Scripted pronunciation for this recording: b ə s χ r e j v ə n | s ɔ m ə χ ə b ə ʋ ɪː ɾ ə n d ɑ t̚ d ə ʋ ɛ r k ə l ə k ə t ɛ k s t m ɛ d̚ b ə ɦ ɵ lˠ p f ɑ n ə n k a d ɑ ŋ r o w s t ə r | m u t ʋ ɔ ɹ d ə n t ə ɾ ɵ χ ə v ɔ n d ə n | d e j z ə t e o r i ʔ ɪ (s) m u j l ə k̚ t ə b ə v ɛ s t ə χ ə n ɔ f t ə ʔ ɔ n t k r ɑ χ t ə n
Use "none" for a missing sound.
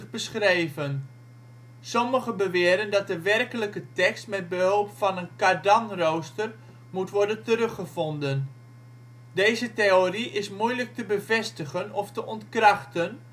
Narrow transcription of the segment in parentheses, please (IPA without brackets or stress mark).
s